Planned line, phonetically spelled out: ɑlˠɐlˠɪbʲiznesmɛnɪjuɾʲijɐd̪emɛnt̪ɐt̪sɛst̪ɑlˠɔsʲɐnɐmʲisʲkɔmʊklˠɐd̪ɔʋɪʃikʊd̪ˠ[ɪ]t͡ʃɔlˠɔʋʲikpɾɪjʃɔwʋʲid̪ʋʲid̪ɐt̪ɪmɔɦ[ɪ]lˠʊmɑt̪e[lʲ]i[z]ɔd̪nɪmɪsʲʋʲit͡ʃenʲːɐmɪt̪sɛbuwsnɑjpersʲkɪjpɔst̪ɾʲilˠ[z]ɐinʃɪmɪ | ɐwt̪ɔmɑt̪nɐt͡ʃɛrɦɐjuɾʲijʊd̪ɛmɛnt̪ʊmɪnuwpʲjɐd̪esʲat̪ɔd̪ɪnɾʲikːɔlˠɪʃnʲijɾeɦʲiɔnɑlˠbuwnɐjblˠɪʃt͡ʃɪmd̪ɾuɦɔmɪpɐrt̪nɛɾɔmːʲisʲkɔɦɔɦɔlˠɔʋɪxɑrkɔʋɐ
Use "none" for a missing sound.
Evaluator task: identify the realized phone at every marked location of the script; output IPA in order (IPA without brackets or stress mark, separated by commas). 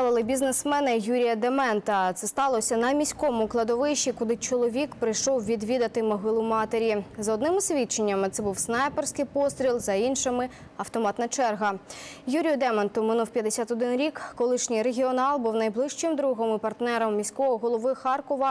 ɪ, ɪ, ɾʲ, z, z